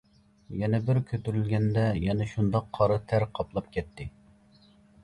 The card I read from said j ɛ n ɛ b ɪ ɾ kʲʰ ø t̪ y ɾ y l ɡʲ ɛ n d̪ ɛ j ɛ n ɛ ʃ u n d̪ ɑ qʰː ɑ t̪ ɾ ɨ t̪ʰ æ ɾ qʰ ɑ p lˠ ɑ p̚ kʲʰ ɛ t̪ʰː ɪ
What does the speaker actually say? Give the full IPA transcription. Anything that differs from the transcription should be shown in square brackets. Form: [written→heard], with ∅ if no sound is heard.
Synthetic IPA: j ɛ n ɛ b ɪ ɾ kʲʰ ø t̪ y ɾ y l ɡʲ ɛ n d̪ ɛ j ɛ n ɛ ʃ u n d̪ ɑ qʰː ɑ [t̪→∅] ɾ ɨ t̪ʰ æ ɾ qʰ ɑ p lˠ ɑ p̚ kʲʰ ɛ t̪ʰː ɪ